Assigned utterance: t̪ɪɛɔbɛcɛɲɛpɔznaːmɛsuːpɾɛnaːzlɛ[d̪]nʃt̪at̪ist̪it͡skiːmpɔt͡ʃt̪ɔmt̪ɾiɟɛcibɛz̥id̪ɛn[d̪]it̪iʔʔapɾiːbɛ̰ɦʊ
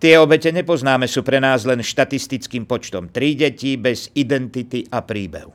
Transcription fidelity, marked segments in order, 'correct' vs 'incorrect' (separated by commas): incorrect, incorrect